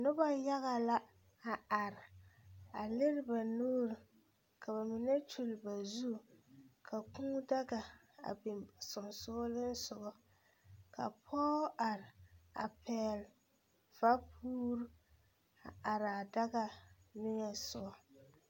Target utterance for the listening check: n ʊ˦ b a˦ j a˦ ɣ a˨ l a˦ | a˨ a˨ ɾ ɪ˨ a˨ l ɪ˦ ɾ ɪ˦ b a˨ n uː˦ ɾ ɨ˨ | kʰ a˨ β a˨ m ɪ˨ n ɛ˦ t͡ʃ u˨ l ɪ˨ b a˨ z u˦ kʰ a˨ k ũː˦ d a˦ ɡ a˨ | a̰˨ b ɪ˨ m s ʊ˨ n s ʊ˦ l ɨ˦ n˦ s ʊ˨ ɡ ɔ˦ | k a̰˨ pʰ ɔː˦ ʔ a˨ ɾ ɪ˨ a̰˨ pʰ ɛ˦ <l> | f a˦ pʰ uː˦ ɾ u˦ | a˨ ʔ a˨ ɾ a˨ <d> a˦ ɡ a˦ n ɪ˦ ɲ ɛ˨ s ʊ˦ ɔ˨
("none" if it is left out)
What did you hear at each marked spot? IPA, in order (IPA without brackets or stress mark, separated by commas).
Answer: l, d